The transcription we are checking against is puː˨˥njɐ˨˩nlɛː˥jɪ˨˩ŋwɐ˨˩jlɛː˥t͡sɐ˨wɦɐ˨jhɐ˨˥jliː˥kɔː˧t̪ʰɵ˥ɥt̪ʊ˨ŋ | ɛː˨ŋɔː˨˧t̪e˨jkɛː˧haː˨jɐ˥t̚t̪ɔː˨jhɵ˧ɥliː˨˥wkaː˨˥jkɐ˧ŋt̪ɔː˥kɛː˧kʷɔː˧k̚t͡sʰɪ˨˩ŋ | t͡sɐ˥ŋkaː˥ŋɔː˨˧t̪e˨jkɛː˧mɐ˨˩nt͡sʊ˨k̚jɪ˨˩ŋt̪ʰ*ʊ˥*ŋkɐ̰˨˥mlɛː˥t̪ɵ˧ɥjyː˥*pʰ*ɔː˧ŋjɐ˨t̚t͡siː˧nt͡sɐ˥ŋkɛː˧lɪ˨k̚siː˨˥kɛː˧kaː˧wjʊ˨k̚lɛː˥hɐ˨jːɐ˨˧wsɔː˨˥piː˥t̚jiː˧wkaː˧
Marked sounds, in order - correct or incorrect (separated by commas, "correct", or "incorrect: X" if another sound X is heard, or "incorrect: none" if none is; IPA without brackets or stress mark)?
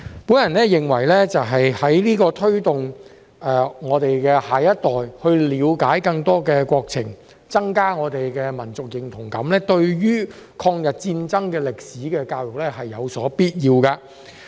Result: incorrect: ʊ˨˩, incorrect: kʰ